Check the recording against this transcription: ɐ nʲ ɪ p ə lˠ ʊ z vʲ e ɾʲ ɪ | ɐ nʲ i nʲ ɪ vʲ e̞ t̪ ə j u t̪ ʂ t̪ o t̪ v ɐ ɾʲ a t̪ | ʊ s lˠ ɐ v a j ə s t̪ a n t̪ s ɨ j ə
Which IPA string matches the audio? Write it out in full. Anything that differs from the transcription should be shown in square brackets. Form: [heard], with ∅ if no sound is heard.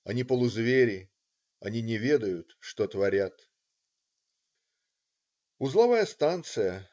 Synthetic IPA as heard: ɐ nʲ [i] p ə lˠ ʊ z vʲ e ɾʲ ɪ | ɐ nʲ i nʲ ɪ vʲ e̞ [d̪] ə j [ʊ] t̪ ʂ t̪ o t̪ v ɐ ɾʲ a t̪ | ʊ [z] lˠ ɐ v a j ə s t̪ a n t̪ s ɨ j ə